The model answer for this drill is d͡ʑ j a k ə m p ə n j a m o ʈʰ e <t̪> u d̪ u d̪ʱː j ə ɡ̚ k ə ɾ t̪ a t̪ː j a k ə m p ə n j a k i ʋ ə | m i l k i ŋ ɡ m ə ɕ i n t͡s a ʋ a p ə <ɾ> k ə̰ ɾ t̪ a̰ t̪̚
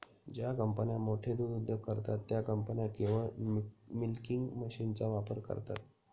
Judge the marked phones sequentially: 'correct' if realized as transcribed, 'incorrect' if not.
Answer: incorrect, correct

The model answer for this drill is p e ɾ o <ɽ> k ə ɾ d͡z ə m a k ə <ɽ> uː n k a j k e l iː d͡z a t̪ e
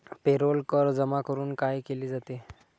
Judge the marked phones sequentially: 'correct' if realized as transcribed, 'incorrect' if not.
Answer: incorrect, incorrect

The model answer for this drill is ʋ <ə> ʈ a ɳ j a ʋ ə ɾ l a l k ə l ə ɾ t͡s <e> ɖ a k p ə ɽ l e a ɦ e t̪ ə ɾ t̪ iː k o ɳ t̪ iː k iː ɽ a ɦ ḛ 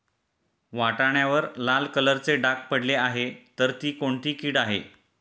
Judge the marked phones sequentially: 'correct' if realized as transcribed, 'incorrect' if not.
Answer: incorrect, correct

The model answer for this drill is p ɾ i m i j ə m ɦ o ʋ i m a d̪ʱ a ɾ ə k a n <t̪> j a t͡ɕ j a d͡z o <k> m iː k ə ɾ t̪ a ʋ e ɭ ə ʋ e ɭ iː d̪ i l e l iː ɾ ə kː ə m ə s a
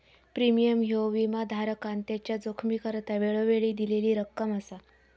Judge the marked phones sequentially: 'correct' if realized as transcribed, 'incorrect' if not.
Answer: correct, incorrect

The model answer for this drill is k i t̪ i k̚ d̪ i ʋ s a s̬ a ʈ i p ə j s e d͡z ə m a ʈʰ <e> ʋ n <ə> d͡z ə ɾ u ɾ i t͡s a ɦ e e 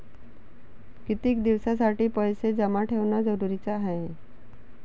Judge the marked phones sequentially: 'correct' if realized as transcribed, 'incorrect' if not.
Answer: correct, incorrect

